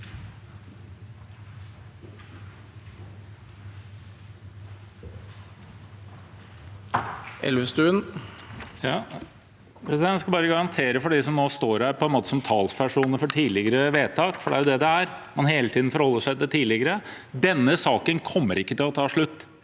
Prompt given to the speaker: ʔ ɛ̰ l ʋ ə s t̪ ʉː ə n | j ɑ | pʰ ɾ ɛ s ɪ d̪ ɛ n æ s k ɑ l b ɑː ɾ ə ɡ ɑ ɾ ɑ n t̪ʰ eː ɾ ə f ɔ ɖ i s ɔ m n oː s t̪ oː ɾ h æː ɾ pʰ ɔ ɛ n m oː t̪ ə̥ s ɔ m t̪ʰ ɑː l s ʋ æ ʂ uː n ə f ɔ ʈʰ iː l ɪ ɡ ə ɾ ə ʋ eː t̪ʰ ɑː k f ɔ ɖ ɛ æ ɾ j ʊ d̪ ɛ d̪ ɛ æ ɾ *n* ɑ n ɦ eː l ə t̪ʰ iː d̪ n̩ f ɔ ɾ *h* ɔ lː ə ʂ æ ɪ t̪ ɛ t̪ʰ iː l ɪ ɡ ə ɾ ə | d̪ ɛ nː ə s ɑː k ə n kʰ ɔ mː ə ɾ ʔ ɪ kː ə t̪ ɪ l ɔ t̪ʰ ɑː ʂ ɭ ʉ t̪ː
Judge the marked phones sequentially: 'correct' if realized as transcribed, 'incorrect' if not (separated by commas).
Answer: incorrect, correct